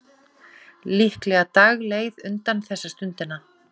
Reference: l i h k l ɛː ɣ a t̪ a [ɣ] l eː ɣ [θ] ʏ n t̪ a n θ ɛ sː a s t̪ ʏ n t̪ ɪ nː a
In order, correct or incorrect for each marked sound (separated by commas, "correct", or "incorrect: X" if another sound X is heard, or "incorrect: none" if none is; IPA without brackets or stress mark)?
correct, incorrect: ð